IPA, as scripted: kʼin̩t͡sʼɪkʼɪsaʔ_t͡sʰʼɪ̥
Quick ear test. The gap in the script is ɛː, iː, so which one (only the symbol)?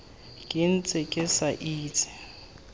iː